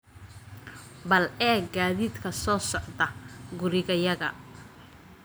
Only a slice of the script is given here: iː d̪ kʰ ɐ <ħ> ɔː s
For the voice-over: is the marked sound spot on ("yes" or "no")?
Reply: no